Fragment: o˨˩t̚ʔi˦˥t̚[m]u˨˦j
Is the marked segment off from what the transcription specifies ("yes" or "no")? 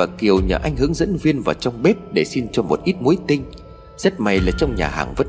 no